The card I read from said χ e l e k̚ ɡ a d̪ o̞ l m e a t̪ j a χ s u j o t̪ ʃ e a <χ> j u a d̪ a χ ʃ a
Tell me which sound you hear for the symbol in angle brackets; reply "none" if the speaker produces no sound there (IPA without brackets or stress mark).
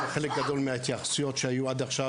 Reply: none